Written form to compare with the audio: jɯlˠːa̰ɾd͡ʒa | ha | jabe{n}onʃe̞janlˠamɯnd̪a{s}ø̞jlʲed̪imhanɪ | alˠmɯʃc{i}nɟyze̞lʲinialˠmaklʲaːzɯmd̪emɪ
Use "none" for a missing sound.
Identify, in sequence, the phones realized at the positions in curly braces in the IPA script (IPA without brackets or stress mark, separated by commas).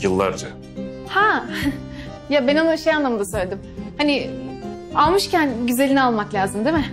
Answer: n, s, æ